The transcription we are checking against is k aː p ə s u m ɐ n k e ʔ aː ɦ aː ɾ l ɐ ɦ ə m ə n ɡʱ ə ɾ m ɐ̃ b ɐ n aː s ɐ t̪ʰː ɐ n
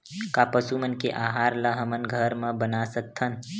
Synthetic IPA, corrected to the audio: k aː p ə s u m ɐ n k e ʔ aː ɦ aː ɾ l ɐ ɦ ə m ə n ɡʱ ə ɾ m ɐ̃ b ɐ n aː s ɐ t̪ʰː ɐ n